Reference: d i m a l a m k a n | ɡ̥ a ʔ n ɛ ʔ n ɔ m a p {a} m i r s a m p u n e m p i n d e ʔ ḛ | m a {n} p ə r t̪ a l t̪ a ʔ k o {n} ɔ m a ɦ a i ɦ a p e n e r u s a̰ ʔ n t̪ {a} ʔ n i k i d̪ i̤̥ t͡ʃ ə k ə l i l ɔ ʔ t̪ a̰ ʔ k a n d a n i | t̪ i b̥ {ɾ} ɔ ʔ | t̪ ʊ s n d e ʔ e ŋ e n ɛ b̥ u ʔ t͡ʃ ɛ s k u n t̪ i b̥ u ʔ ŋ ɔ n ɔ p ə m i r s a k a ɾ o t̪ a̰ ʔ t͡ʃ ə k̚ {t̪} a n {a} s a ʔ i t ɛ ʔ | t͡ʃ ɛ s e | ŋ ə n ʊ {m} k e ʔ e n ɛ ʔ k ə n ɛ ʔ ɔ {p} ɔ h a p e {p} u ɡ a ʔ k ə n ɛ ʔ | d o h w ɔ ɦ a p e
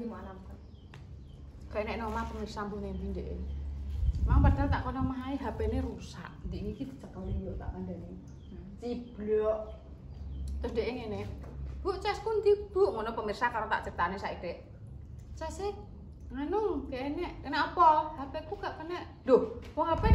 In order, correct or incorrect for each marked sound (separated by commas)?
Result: incorrect, incorrect, correct, incorrect, incorrect, correct, incorrect, incorrect, correct, incorrect